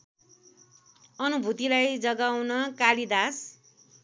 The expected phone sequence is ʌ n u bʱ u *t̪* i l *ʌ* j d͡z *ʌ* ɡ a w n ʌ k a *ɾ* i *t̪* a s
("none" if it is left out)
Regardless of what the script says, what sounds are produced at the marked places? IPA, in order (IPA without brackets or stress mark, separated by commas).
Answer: t̪, a, ʌ, l, d̪